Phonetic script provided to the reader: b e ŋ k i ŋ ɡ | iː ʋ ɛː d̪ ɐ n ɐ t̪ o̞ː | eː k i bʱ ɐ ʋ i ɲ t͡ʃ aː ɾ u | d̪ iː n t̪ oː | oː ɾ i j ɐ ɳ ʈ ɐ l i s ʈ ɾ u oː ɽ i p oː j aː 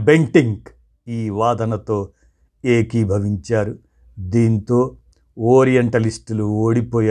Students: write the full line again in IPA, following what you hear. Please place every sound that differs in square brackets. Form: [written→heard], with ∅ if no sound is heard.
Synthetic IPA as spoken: b e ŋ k i ŋ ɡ | iː ʋ [ɛː→aː] d̪ ɐ n ɐ t̪ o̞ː | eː k i bʱ ɐ ʋ i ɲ t͡ʃ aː ɾ u | d̪ iː n t̪ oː | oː ɾ i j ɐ ɳ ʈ ɐ l i s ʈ [ɾ→l] u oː ɽ i p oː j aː